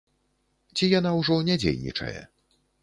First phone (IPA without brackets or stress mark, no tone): t͡sʲ